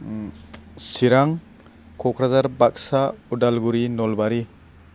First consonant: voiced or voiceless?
voiceless